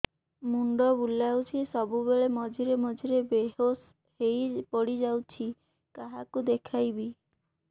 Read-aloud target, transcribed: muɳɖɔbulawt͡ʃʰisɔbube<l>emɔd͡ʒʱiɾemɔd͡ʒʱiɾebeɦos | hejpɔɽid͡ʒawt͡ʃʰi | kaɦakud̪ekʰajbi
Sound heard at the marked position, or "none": ɭ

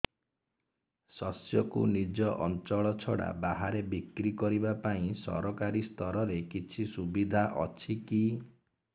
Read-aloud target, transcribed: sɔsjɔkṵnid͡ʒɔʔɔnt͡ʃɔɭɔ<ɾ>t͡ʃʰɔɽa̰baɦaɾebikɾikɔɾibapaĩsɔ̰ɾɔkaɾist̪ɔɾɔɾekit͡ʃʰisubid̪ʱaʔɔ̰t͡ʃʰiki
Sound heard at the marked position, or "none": none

